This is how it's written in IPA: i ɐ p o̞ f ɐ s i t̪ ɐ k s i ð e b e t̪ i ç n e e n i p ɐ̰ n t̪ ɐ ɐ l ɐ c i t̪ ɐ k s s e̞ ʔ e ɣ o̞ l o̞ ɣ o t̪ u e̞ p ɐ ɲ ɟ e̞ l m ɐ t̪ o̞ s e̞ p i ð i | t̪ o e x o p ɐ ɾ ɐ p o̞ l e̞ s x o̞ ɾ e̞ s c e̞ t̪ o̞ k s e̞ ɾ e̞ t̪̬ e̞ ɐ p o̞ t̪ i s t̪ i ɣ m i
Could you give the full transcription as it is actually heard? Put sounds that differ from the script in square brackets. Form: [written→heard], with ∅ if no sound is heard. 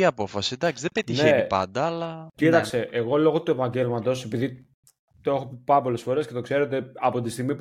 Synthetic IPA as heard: i ɐ p o̞ f ɐ s i [t̪→d̪] ɐ k s i ð e b e t̪ i ç n e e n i p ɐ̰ n [t̪→d̪] ɐ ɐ l ɐ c i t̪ ɐ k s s e̞ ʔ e ɣ o̞ l o̞ ɣ o t̪ u e̞ p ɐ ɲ ɟ e̞ l m ɐ t̪ o̞ s e̞ p i ð i | t̪ o e x o p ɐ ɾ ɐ p o̞ l e̞ s [x→f] o̞ ɾ e̞ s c e̞ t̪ o̞ k s e̞ ɾ e̞ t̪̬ e̞ ɐ p o̞ t̪ i s t̪ i ɣ m i